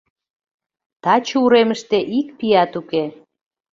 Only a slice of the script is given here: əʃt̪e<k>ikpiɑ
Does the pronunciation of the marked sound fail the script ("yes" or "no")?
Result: yes